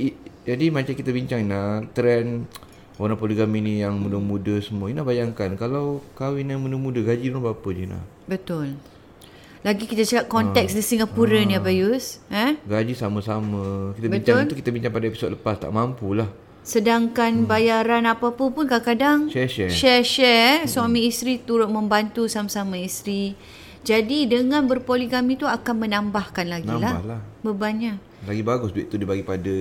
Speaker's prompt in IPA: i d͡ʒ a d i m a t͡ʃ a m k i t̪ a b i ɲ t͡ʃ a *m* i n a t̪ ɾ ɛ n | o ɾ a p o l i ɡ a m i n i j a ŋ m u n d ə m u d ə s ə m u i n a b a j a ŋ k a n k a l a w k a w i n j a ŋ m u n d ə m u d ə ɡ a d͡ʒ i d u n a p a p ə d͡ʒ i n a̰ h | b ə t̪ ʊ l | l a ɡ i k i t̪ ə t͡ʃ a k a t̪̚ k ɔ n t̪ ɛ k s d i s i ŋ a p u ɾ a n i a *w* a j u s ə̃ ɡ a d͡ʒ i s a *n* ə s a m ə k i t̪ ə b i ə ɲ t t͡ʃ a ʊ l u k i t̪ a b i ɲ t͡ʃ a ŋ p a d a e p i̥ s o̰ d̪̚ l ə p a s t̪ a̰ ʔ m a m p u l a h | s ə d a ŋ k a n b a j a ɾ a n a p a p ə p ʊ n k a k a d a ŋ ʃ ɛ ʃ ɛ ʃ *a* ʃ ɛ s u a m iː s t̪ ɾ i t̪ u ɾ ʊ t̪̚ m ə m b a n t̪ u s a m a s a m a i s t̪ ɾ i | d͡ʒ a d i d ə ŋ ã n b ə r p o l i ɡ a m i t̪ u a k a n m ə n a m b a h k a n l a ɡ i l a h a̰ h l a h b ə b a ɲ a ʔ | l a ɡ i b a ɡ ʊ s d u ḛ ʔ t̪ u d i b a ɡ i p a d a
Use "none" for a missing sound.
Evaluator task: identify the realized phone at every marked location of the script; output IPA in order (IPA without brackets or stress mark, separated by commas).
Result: ŋ, b, m, ɛ